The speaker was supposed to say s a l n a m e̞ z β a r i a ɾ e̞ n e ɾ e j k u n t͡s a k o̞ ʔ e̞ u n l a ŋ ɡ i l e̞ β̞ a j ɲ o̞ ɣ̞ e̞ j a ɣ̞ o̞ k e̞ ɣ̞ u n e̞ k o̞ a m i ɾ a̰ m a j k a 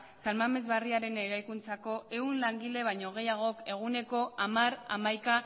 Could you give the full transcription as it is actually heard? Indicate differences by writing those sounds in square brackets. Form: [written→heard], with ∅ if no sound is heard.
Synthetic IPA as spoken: s a l [n→m] a m e̞ z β a r i a ɾ e̞ n e ɾ [e→a] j k u n t͡s a k o̞ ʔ e̞ u n l a ŋ ɡ i l e̞ β̞ a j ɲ o̞ ɣ̞ e̞ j a ɣ̞ o̞ k e̞ ɣ̞ u n e̞ k o̞ a m [i→a] ɾ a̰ m a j k a